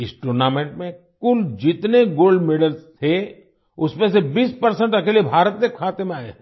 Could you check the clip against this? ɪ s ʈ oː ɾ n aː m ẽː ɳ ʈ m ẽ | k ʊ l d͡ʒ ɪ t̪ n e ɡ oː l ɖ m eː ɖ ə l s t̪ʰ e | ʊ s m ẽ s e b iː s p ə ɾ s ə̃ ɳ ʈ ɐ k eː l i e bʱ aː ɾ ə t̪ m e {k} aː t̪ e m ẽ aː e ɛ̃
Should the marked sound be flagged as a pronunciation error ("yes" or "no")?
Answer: yes